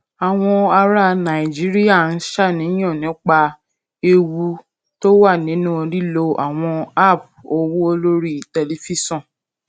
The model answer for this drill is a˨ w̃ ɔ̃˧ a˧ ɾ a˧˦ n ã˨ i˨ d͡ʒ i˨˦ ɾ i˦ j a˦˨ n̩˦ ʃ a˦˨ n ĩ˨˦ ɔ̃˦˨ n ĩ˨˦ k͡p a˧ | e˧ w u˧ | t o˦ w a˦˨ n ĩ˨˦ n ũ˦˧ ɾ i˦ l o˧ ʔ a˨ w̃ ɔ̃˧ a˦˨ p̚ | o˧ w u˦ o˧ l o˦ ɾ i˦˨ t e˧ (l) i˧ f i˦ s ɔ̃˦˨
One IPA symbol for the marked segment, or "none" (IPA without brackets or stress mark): l